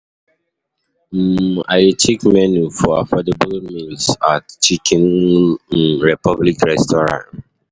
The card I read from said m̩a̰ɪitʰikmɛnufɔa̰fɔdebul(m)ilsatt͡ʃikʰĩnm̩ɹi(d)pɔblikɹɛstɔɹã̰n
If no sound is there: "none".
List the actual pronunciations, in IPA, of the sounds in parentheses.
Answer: m, none

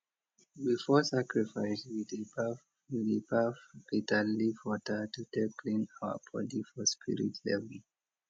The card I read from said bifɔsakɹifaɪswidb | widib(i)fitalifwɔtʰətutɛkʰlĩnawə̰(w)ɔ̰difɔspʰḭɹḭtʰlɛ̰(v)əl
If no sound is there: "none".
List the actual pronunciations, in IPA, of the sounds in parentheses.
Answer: a, b, v

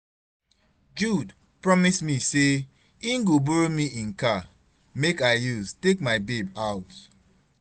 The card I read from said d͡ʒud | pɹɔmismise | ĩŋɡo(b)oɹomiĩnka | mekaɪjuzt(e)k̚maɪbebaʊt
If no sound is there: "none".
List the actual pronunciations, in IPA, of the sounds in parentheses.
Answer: b, e

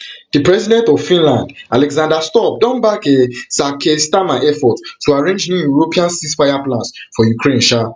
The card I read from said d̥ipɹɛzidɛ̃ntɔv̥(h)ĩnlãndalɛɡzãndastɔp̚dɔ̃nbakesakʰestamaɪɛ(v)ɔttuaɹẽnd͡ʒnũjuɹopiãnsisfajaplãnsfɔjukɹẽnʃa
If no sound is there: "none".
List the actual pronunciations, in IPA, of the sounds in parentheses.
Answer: f, f

